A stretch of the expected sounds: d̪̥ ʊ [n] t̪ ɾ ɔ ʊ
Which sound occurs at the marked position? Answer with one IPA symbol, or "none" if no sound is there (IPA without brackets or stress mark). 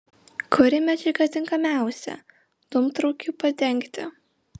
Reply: m